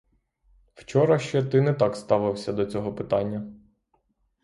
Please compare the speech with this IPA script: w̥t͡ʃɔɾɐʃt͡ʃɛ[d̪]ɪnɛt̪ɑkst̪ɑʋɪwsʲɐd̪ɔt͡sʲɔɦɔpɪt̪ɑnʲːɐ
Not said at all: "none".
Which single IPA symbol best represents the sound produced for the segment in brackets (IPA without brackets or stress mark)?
t̪